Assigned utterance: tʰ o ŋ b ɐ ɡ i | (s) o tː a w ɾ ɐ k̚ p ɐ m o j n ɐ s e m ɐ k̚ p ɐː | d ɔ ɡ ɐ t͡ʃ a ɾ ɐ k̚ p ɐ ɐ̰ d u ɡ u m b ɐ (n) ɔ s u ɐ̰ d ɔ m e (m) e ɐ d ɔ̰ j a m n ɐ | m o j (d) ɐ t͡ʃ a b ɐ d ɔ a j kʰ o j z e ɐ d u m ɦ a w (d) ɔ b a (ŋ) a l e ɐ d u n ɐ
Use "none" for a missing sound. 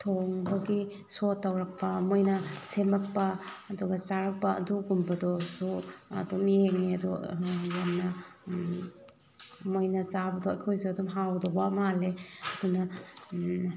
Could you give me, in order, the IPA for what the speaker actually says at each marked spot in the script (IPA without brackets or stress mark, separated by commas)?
s, d, ŋ, n, d, m